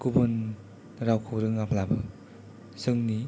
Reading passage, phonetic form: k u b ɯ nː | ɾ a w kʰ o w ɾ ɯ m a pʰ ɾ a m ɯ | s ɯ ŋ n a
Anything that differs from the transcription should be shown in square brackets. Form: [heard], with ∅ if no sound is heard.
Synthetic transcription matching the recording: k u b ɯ [n] | ɾ a w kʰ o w ɾ ɯ [ŋ] a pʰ [l] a [b] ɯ | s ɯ ŋ n [i]